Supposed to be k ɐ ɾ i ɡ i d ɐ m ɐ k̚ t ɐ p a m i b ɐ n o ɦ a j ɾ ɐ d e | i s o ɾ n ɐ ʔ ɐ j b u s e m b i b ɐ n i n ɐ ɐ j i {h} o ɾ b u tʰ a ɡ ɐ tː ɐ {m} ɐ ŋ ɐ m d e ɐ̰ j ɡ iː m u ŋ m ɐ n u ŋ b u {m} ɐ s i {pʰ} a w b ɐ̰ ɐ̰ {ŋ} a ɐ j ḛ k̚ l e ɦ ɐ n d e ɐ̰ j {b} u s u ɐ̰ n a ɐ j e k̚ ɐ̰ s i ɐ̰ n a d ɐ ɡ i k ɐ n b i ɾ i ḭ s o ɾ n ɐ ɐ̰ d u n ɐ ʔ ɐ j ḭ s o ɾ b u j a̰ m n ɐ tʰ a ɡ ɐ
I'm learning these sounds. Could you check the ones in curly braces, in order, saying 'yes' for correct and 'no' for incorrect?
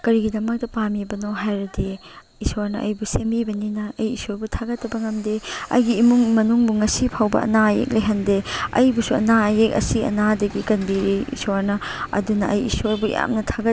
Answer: no, no, no, yes, no, yes

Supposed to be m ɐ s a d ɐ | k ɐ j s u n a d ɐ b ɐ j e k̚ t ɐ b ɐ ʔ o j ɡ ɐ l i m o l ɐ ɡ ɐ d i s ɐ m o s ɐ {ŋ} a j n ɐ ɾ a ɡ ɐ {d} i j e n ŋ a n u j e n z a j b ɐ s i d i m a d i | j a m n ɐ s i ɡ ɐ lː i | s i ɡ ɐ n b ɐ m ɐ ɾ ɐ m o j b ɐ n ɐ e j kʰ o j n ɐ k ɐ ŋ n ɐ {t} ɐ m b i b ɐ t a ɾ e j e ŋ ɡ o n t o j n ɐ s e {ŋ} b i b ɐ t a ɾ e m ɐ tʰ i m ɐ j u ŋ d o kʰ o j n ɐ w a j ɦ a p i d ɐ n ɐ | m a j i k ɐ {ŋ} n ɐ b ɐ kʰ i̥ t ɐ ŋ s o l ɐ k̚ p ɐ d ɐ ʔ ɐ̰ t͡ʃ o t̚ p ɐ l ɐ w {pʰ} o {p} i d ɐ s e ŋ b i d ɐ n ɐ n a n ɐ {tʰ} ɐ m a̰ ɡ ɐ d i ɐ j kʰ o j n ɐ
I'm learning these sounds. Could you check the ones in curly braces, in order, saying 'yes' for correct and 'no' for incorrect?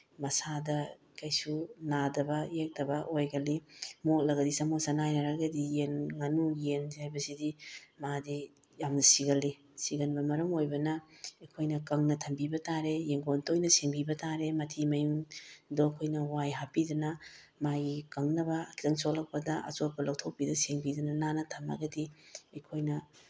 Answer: no, yes, no, yes, yes, no, yes, yes

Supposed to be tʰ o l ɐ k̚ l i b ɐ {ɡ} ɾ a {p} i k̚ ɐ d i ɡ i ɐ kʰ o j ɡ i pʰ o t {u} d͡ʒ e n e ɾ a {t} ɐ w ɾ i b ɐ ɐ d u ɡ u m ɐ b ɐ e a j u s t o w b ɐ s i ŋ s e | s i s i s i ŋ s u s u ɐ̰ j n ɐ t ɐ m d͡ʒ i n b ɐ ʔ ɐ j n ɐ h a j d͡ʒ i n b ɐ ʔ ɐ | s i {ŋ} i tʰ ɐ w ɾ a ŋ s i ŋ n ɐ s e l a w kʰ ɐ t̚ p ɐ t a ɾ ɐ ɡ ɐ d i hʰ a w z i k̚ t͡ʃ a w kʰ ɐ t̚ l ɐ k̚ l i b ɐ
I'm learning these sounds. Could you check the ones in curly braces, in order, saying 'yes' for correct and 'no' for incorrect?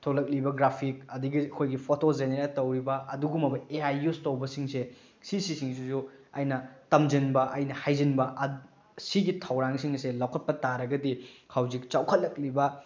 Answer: yes, no, no, yes, no

